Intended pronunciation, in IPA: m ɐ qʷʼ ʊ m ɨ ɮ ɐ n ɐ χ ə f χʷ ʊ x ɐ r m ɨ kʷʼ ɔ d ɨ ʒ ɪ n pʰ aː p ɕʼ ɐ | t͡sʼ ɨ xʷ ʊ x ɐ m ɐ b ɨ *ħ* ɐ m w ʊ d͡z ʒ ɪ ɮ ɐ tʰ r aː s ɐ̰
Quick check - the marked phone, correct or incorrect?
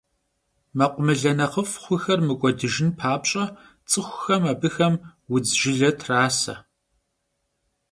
incorrect